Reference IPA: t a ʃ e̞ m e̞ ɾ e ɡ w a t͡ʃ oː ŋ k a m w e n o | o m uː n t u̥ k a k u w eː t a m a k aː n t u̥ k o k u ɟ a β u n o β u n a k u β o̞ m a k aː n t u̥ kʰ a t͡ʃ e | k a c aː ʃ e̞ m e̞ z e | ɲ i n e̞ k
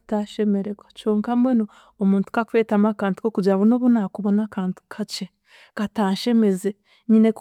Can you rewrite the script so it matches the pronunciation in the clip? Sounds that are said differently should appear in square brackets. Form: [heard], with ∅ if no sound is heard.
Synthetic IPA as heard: t a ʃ e̞ m e̞ ɾ e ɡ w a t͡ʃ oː ŋ k a m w e n o | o m uː n t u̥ k a k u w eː t a m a k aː n t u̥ k o k u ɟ a β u n o β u n a k u β o̞ [n] a k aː n t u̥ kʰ a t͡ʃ e | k a [t] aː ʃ e̞ m e̞ z e | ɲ i n e̞ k